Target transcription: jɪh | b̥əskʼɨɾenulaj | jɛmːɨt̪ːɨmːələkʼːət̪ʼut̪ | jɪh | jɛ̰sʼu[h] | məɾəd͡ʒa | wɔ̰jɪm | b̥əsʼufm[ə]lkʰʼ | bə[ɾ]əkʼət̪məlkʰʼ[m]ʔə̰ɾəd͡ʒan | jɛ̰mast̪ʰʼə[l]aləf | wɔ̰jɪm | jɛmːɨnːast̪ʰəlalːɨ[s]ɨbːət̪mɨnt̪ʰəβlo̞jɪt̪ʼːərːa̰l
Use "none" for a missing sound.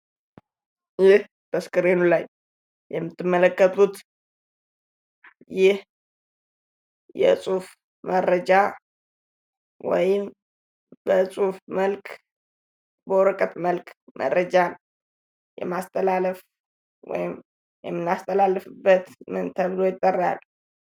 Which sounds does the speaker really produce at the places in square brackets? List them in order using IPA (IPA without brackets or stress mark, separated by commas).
f, ə, ɾ, m, l, f